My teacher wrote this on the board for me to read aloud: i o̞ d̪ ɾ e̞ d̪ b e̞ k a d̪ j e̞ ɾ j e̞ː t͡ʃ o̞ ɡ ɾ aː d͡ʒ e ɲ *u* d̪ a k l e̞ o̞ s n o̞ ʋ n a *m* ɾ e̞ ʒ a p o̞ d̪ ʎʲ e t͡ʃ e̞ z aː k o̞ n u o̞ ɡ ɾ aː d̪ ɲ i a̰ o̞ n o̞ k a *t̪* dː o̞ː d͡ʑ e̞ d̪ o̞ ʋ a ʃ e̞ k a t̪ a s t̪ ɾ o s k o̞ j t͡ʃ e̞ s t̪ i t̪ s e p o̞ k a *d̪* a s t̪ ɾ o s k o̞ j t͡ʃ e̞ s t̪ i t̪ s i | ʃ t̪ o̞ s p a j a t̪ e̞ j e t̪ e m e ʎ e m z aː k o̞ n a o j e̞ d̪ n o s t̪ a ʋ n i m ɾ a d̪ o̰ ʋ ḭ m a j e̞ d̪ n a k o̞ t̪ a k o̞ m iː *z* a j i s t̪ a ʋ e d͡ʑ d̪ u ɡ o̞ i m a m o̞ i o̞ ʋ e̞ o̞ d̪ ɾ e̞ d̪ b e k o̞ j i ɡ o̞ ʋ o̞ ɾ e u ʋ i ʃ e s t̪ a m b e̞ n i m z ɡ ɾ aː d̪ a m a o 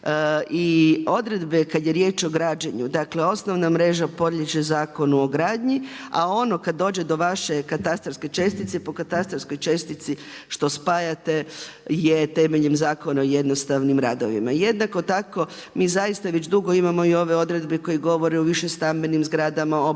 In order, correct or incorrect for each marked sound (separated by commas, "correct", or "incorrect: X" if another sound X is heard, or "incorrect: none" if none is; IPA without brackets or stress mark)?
correct, correct, incorrect: d̪, incorrect: t̪, correct